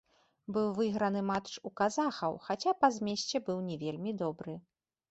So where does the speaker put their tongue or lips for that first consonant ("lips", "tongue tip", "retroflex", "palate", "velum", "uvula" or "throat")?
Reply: lips